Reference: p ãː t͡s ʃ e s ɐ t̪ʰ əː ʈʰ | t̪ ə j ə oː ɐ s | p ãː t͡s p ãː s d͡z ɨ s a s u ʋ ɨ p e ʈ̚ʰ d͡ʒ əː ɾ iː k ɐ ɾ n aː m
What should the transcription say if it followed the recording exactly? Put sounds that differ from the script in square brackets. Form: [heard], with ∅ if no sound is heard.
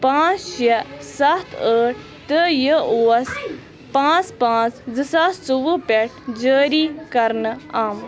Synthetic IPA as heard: p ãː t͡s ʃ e s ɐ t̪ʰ əː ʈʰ | t̪ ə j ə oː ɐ s | p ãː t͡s p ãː [t͡s] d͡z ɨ s a s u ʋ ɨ p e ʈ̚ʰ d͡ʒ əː ɾ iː k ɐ ɾ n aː m